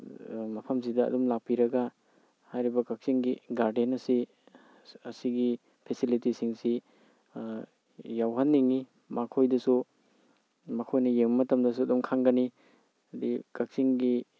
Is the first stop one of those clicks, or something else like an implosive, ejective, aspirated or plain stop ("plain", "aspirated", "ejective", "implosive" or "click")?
aspirated